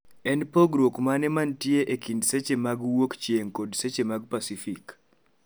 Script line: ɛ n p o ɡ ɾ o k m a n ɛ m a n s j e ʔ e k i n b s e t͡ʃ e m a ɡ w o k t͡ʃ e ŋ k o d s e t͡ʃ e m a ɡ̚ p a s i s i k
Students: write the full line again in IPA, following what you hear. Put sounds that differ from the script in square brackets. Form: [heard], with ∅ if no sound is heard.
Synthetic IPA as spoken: ɛ n p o ɡ ɾ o k m a n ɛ m a n [t] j e ʔ e k i n [d] s e t͡ʃ e m a ɡ w o k t͡ʃ e ŋ k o d s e t͡ʃ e m a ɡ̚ p a s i [f] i k